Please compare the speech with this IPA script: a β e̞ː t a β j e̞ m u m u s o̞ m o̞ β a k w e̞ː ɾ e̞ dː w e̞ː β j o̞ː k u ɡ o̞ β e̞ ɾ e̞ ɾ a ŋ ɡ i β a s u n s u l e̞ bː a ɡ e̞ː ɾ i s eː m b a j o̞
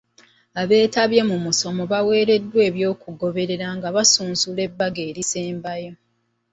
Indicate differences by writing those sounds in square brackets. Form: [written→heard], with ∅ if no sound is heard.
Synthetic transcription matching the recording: a β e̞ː t a β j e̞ m u m u s o̞ m o̞ β a [k→∅] w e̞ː ɾ e̞ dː w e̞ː β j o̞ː k u ɡ o̞ β e̞ ɾ e̞ ɾ a ŋ ɡ [i→a] β a s [u→uː] n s u l e̞ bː a ɡ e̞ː ɾ i s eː m b a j o̞